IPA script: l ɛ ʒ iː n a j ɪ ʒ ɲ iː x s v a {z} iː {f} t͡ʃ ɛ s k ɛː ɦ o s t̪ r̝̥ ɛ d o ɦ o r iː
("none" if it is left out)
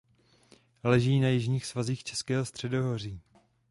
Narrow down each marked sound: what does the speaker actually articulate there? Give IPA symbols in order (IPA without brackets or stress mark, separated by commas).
z, x